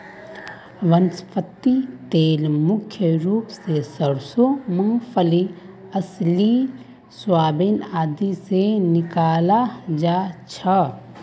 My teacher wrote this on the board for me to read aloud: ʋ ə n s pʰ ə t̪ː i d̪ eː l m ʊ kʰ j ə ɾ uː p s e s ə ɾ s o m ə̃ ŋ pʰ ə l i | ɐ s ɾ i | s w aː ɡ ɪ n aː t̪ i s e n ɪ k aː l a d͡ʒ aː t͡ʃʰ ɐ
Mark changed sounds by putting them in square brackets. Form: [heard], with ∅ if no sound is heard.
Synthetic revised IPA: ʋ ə n s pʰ ə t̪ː i [t̪] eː l m ʊ kʰ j ə ɾ uː p s e s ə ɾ s o m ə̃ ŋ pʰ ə l i | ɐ s [l] i | s w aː [b] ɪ n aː [d̪] i s e n ɪ k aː l a d͡ʒ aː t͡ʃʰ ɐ

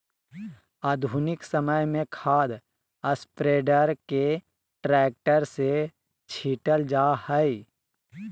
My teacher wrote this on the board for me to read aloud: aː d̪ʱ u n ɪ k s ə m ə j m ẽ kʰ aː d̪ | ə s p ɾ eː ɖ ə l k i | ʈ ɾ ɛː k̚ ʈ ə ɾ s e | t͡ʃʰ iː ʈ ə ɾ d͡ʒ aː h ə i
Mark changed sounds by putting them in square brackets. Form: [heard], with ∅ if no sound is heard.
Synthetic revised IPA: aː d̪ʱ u n ɪ k s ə m ə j m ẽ kʰ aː d̪ | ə s p ɾ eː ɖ ə [ɾ] k [e] | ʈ ɾ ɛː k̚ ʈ ə ɾ s e | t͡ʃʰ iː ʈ ə [l] d͡ʒ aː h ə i

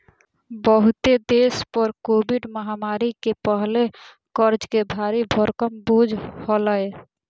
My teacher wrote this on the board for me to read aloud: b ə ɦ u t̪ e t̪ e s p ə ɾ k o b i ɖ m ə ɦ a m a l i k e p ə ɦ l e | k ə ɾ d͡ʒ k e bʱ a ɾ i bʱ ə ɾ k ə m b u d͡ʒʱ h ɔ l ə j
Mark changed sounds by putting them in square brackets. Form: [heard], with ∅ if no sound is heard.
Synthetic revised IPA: b ə ɦ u t̪ e [d̪] e s p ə ɾ k o b i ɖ m ə ɦ a m a [ɾ] i k e p ə ɦ l e | k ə ɾ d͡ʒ k e bʱ a ɾ i bʱ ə ɾ k ə m b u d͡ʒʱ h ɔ l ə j

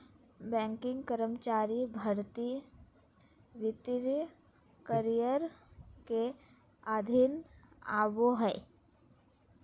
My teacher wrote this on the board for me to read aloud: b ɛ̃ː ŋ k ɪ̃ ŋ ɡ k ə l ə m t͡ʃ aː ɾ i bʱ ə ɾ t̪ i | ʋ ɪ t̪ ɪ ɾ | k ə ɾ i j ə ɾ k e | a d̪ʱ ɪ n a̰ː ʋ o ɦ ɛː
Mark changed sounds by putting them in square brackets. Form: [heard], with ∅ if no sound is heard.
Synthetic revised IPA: b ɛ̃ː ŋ k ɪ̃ ŋ ɡ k ə [ɾ] ə m t͡ʃ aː ɾ i bʱ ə ɾ t̪ i | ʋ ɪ t̪ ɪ ɾ | k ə ɾ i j ə ɾ k e | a d̪ʱ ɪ n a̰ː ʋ o ɦ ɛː

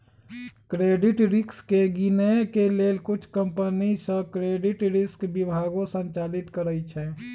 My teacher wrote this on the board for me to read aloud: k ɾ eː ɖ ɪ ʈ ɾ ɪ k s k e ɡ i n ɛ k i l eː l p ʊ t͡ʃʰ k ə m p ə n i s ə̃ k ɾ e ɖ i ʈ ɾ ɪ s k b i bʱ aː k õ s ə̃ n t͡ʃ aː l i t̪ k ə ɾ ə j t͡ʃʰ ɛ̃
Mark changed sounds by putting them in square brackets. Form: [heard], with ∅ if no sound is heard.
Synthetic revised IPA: k ɾ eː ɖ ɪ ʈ ɾ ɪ k s k e ɡ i n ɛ k [e] l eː l [k] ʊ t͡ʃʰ k ə m p ə n i s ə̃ k ɾ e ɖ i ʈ ɾ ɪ s k b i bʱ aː [ɡ] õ s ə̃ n t͡ʃ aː l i t̪ k ə ɾ ə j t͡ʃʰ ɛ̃

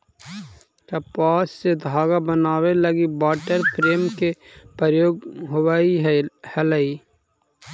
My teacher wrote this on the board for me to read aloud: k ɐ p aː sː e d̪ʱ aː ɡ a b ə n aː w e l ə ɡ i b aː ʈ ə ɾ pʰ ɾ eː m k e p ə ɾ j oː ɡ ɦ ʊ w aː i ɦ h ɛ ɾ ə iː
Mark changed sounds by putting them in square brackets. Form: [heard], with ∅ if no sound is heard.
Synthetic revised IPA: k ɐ p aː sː e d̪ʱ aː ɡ a b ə n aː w e l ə ɡ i b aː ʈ ə ɾ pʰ ɾ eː m k e p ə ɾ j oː ɡ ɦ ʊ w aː i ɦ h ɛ [l] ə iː

